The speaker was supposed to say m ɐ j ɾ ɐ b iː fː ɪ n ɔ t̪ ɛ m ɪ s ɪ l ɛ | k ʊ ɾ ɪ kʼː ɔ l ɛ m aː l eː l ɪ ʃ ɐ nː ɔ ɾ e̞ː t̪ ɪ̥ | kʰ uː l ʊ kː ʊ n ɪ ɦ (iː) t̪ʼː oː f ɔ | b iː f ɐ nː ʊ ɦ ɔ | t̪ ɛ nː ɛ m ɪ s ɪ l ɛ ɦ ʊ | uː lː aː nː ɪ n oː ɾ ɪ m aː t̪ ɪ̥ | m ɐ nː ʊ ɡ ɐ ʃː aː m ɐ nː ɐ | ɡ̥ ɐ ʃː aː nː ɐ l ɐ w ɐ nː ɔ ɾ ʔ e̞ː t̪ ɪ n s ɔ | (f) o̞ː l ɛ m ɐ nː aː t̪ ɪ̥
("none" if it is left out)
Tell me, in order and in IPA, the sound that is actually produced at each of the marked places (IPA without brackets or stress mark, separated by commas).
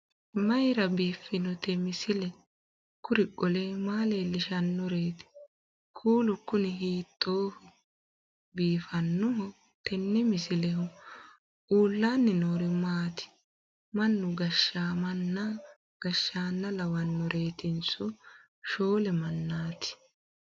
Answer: iː, ʃ